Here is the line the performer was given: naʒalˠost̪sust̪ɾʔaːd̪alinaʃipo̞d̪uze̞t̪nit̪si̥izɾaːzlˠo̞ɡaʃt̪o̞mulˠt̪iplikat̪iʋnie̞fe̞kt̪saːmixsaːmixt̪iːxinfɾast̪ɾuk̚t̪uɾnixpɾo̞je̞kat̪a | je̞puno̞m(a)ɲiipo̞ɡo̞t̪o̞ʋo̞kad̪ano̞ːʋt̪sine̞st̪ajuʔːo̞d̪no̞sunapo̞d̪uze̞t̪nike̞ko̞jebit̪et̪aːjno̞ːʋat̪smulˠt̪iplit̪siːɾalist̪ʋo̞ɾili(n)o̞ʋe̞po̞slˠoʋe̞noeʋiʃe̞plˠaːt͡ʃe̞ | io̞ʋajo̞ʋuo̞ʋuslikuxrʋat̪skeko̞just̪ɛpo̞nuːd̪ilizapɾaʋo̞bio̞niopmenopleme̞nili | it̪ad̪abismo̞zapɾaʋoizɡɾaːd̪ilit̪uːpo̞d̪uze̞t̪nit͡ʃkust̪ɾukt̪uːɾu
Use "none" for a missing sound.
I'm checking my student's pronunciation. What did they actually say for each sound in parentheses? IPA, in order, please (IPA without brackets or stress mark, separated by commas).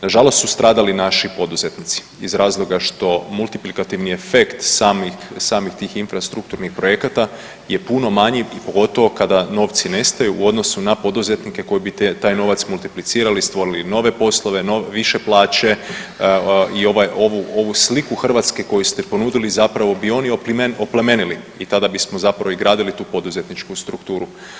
a, n